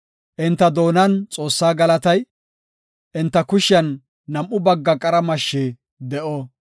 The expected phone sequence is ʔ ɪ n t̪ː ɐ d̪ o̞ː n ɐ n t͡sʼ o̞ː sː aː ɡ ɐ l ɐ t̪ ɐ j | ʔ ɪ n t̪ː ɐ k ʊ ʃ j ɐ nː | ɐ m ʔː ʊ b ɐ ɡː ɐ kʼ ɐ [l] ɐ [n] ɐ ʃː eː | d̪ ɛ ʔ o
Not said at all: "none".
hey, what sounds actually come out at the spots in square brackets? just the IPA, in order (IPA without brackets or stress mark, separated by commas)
ɾ, m